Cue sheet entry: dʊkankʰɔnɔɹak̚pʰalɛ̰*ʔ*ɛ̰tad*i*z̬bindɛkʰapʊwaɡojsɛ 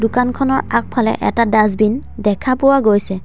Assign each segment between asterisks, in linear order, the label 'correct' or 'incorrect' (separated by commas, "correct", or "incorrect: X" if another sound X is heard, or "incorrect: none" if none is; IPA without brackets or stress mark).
correct, incorrect: a